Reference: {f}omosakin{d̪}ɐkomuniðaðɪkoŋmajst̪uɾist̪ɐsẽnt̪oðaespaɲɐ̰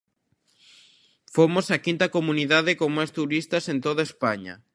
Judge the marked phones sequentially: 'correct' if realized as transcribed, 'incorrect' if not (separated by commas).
correct, incorrect